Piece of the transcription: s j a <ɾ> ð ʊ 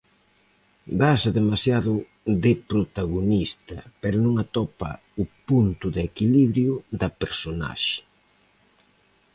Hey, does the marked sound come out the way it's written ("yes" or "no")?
no